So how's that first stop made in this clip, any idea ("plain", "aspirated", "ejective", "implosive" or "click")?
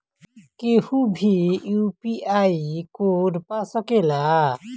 plain